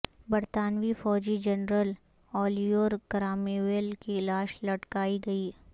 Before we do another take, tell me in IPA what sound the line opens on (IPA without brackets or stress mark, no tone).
b